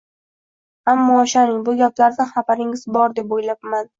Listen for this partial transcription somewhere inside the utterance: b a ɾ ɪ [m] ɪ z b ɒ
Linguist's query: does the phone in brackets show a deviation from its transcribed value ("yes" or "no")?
yes